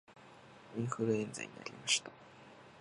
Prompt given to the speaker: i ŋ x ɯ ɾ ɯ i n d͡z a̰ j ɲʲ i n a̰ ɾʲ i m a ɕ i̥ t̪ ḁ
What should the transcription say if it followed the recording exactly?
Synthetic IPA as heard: i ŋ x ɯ ɾ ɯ e n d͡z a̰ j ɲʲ i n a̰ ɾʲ i m a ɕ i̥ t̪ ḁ